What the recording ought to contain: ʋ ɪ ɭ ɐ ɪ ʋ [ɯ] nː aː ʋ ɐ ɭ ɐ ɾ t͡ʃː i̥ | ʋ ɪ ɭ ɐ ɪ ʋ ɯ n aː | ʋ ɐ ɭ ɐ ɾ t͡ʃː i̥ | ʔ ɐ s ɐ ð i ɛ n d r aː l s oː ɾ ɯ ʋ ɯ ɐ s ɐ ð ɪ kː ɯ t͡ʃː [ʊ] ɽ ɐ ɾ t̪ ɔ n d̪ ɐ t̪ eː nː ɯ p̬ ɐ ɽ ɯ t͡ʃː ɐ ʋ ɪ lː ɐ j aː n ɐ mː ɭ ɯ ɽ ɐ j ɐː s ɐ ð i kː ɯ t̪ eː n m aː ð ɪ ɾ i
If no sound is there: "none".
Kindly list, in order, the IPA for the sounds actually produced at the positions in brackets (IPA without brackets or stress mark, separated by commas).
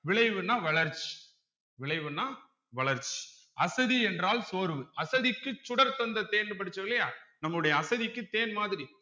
ɯ, ʊ